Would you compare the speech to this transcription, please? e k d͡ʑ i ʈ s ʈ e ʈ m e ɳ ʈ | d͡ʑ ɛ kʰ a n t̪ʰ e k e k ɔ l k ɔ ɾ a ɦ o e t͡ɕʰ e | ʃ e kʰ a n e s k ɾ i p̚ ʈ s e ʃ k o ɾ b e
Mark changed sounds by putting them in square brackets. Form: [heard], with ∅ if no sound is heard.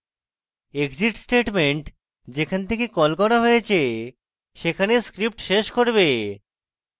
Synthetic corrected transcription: e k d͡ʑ i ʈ s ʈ e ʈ m e ɳ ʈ | d͡ʑ [e] kʰ a n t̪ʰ e k e k ɔ l k ɔ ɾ a ɦ o e t͡ɕʰ e | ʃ e kʰ a n e s k ɾ i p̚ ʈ [ʃ] e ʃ k o ɾ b e